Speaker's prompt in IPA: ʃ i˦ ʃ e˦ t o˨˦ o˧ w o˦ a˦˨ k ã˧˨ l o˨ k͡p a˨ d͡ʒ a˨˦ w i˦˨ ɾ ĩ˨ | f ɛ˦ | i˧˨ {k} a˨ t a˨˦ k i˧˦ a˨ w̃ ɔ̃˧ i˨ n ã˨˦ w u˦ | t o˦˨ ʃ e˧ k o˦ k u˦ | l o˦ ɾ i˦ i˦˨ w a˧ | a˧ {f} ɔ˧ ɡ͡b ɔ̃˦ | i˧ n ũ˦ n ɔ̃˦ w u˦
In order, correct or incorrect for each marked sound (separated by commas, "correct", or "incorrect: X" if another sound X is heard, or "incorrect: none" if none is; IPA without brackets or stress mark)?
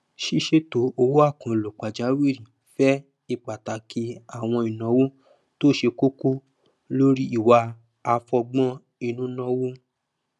incorrect: k͡p, correct